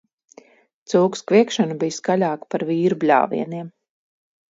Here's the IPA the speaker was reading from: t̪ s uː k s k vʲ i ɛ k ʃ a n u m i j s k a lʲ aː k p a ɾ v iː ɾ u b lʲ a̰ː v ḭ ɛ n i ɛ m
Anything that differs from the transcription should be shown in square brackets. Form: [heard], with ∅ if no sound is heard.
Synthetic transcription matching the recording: t̪ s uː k s k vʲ i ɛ k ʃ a n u [b] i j s k a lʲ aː k p a ɾ v iː ɾ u b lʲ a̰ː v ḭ ɛ n i ɛ m